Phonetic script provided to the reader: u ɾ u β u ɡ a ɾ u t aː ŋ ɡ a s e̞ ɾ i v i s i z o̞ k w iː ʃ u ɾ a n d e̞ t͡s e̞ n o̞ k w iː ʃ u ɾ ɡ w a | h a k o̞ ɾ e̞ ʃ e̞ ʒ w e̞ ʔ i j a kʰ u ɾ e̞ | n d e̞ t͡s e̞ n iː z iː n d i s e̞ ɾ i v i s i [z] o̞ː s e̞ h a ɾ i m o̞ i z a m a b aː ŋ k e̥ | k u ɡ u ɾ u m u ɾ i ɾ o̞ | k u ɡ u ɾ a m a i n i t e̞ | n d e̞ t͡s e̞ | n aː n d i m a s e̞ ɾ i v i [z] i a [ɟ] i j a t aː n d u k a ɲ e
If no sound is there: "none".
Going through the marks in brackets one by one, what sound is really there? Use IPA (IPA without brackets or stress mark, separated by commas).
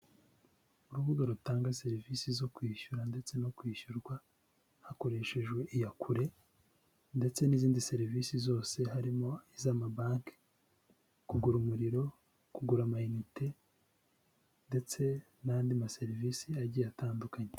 z, s, ɟ